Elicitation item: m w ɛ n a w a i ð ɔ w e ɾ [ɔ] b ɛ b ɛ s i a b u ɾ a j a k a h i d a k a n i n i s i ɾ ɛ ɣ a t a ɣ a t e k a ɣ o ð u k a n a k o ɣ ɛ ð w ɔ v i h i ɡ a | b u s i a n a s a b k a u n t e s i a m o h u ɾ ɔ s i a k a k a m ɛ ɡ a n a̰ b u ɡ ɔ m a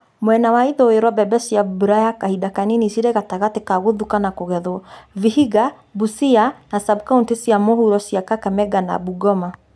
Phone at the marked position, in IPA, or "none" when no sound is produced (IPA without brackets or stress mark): ɔ